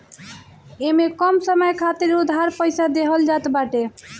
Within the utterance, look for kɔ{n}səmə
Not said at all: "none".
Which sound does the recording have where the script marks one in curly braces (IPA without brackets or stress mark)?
m